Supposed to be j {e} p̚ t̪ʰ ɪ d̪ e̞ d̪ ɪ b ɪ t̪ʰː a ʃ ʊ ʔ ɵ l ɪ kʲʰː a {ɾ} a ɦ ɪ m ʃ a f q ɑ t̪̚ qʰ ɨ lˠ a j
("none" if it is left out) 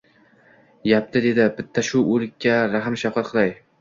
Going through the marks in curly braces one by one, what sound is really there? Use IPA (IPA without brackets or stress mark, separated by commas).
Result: a, ɾ